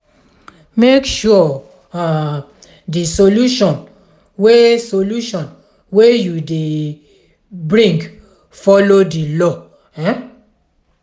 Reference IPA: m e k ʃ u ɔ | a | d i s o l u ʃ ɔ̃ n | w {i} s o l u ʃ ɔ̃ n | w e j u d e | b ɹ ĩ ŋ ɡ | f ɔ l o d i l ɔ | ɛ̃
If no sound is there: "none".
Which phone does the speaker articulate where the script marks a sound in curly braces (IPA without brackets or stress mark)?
e